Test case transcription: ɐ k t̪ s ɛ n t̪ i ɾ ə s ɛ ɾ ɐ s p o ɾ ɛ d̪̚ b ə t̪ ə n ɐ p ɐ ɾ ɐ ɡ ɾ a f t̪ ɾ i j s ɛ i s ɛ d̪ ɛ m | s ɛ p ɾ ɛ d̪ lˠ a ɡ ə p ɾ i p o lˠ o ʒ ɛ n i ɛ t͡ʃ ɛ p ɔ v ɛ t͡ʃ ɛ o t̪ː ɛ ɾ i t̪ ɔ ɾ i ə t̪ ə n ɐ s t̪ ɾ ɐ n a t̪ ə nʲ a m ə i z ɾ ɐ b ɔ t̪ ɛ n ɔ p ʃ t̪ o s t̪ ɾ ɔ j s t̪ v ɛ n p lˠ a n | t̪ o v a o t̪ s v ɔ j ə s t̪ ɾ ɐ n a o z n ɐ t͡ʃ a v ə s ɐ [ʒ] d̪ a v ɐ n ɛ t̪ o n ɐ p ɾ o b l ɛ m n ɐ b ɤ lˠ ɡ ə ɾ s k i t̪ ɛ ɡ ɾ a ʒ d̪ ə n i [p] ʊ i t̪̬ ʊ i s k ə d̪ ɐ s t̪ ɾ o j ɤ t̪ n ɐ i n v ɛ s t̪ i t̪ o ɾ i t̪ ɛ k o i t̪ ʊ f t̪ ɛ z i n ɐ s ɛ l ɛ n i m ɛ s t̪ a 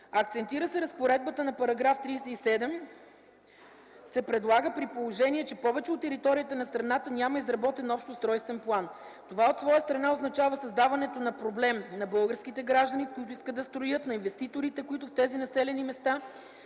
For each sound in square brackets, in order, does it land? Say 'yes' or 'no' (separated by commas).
no, no